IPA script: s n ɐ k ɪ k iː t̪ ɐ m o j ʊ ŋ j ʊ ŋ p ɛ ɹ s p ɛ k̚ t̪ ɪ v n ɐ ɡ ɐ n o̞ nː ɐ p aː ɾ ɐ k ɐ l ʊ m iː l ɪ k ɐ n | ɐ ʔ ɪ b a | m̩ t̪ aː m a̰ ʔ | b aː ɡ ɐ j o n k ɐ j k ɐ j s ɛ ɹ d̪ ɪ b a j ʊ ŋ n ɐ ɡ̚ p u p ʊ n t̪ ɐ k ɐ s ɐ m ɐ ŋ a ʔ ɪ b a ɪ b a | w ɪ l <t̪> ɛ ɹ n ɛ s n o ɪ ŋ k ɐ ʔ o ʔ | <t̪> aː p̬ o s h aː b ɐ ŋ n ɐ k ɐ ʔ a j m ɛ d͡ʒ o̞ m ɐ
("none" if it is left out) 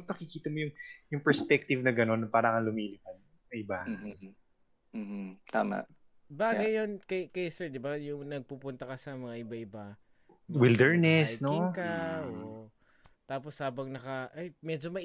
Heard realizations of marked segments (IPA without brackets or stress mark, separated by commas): d̪, t̪